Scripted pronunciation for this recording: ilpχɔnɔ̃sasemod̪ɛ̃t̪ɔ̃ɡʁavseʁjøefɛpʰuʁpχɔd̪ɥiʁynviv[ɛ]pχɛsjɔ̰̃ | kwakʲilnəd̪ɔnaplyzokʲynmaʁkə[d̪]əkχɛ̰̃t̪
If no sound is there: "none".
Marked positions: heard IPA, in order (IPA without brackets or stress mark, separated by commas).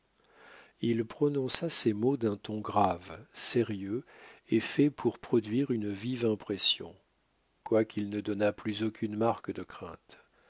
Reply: ɛ̃, d̪